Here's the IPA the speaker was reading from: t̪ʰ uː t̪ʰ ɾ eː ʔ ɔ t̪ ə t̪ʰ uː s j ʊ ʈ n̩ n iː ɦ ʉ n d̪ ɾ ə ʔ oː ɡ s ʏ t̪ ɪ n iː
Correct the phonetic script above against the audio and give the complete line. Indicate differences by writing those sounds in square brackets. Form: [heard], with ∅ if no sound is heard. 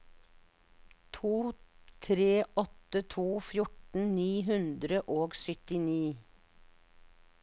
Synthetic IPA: t̪ʰ uː t̪ʰ ɾ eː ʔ ɔ t̪ ə t̪ʰ uː [f] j ʊ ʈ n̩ n iː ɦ ʉ n d̪ ɾ ə ʔ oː ɡ s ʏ t̪ ɪ n iː